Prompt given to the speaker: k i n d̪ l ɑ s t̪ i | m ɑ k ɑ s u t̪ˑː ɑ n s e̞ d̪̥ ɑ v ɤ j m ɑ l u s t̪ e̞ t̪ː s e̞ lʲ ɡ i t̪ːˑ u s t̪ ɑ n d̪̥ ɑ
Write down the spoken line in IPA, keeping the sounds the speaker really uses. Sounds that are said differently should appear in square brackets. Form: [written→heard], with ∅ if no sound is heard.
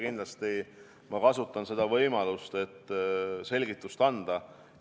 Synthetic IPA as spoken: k i n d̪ l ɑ s t̪ i | m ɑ k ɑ s u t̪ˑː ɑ n s e̞ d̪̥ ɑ v ɤ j m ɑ l u s t̪ e̞ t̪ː s e̞ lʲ ɡ i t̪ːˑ u s t̪ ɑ n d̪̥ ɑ